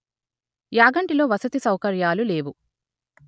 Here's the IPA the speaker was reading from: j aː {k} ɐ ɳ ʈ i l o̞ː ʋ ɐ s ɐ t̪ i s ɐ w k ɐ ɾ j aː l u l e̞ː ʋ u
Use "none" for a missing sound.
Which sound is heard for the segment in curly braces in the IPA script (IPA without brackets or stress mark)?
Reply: ɡ